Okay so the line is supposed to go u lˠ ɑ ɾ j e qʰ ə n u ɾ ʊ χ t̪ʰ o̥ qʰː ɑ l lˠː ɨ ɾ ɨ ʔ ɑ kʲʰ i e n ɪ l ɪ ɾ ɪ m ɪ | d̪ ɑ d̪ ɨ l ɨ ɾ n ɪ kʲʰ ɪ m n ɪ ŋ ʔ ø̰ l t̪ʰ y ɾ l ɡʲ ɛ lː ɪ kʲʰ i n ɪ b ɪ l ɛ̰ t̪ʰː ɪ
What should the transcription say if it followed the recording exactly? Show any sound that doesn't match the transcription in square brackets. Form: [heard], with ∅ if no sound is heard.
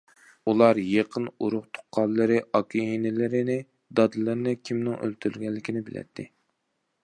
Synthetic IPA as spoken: u lˠ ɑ ɾ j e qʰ ə n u ɾ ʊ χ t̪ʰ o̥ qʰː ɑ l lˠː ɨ ɾ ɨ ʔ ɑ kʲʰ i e n ɪ l ɪ ɾ ɪ [n] ɪ | d̪ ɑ d̪ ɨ l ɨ ɾ n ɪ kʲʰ [i] m n ɪ ŋ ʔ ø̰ l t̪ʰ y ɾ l ɡʲ ɛ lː ɪ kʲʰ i n ɪ b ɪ l ɛ̰ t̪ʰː ɪ